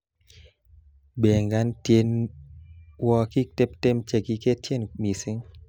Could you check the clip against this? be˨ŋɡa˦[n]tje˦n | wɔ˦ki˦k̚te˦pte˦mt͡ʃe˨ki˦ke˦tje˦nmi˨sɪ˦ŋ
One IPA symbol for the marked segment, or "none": n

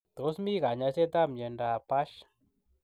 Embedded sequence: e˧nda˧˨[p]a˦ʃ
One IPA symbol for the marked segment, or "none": p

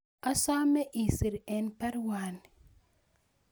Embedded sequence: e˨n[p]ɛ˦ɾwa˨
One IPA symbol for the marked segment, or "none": p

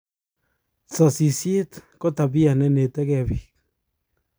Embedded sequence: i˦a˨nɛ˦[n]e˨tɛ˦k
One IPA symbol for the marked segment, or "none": n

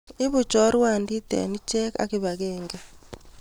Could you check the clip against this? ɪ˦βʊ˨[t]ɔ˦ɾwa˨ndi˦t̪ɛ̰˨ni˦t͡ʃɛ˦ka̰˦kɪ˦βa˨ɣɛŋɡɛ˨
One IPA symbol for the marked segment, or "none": t͡ʃ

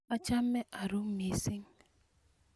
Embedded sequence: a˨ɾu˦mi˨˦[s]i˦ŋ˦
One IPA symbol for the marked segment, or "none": s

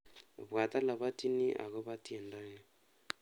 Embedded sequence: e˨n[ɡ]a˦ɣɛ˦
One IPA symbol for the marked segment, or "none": d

